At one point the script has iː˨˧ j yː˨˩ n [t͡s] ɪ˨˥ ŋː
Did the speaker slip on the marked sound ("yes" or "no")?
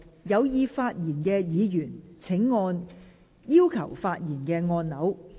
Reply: yes